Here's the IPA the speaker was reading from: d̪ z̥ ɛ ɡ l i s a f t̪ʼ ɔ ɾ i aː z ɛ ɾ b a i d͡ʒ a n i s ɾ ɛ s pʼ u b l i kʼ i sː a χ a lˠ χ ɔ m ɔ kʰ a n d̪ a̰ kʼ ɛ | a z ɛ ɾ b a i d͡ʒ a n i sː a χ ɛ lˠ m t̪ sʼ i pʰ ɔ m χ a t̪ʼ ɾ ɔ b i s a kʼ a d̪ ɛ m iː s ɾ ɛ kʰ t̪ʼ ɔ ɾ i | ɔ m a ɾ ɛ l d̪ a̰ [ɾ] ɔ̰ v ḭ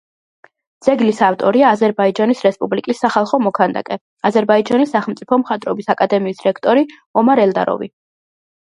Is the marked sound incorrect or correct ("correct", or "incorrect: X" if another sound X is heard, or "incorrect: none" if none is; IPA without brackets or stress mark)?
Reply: correct